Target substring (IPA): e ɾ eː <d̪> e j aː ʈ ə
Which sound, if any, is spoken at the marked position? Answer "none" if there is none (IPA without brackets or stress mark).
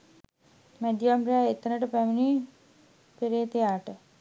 t̪